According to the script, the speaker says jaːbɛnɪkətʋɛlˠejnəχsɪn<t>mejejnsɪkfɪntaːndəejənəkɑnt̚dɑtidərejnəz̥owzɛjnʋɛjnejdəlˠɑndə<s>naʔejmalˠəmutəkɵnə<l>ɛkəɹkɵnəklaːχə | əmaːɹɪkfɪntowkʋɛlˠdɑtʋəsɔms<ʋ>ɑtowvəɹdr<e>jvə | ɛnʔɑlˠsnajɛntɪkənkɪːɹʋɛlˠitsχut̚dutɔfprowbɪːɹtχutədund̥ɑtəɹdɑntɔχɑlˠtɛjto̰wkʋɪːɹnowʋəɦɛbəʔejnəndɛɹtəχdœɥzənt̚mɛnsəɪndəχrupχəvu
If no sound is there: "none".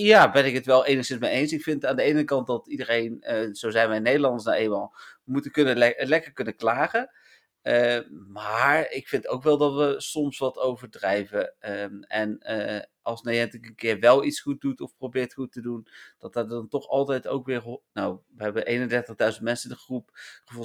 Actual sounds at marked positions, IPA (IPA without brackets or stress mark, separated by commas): s, s, l, ʋ, ɛ